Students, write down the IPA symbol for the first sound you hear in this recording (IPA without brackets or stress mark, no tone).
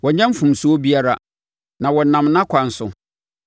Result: w